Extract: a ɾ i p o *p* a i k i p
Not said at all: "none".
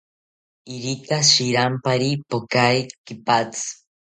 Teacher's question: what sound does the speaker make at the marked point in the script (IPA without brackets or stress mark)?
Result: k